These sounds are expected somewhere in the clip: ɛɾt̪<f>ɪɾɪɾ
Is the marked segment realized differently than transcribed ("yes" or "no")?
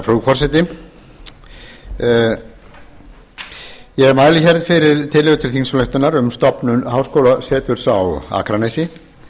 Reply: no